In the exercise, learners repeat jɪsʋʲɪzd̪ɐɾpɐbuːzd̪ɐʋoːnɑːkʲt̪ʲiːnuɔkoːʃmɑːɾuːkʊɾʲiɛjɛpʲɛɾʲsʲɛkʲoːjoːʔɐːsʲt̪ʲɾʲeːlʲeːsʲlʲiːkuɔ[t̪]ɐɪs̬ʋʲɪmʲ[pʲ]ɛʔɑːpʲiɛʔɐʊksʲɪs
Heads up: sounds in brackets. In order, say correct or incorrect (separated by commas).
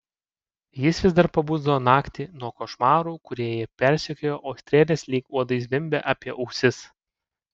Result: incorrect, incorrect